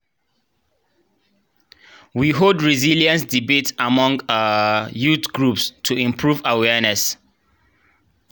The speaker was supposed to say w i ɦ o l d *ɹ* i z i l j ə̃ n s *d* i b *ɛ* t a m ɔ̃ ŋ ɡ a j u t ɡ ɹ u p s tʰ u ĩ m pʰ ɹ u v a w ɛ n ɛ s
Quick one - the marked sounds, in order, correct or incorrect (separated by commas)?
correct, correct, incorrect